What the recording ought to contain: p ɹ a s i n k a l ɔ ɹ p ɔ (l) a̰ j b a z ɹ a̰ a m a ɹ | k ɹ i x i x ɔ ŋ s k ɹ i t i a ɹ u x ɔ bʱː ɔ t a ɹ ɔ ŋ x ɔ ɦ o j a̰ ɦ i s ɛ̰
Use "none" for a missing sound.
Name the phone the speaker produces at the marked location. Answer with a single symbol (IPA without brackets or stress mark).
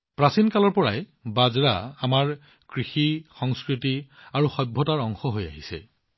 ɹ